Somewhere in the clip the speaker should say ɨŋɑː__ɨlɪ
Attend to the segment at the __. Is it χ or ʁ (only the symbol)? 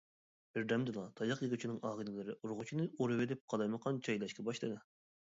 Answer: ʁ